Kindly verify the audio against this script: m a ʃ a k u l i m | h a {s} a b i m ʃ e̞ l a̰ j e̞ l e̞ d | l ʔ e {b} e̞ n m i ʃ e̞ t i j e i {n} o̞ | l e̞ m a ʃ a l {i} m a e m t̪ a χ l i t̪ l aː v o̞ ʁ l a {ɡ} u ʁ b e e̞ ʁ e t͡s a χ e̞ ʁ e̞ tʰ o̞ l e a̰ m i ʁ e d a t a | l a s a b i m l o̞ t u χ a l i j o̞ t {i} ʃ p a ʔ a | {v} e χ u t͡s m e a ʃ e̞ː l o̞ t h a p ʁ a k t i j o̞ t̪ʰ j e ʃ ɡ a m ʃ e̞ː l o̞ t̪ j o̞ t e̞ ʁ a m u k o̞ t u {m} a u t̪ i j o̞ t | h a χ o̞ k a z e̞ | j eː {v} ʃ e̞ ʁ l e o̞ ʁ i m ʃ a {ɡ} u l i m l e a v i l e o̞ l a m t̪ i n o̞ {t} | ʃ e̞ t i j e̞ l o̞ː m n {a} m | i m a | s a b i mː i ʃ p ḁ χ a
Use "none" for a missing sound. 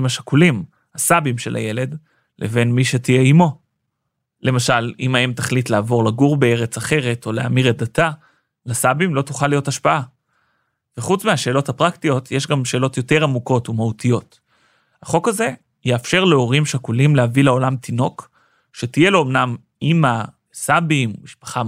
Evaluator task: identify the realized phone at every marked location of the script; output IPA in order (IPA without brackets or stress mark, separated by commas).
s, v, m, i, ɡ, a, v, m, f, k, k, a